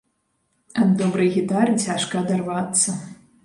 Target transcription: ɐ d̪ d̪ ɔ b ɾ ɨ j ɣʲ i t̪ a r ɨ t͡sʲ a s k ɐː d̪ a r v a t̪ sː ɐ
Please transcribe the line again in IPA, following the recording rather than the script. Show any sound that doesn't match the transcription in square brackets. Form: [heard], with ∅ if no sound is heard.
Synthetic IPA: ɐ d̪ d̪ ɔ b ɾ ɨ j ɣʲ i t̪ a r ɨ t͡sʲ a [ʂ] k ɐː d̪ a r v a t̪ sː ɐ